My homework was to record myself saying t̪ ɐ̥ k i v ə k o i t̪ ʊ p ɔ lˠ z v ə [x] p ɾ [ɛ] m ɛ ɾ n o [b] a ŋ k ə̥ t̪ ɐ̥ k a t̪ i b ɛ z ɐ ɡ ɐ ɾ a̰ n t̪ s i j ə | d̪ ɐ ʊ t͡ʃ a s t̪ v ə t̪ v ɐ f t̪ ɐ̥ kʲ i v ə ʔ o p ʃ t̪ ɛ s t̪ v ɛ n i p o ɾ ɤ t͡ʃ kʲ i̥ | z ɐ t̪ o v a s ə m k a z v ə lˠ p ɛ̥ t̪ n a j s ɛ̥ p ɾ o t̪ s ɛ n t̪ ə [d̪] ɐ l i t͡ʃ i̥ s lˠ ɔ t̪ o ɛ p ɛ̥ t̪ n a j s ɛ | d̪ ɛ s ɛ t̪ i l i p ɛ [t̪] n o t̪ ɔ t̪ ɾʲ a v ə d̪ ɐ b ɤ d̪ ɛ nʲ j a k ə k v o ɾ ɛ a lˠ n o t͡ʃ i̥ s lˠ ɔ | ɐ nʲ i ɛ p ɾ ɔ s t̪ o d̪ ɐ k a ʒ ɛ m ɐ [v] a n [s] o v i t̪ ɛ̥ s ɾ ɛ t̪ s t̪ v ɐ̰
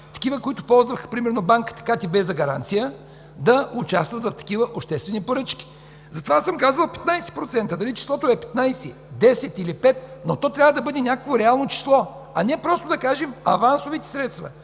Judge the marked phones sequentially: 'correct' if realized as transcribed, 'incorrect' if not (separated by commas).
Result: correct, incorrect, correct, correct, correct, correct, correct